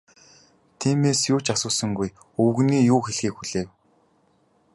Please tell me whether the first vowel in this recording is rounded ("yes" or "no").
no